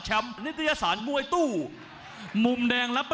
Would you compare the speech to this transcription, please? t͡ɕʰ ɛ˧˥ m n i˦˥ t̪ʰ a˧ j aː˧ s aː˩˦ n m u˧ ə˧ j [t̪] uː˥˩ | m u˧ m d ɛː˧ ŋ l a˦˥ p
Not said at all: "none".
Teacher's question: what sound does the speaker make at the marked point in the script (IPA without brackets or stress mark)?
t̪